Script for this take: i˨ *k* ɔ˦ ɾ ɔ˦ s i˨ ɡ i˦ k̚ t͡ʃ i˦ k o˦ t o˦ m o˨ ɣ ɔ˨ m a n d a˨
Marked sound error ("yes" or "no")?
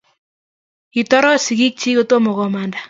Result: yes